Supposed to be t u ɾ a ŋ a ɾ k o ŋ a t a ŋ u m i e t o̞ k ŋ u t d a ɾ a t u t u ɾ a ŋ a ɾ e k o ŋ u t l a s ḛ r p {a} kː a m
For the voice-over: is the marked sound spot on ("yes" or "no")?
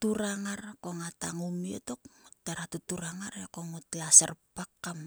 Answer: yes